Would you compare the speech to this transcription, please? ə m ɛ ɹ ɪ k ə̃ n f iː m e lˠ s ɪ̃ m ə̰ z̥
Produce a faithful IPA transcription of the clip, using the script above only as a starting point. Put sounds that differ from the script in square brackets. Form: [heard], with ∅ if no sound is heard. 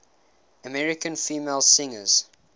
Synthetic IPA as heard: ə m ɛ ɹ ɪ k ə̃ n f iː m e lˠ s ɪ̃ [ŋ] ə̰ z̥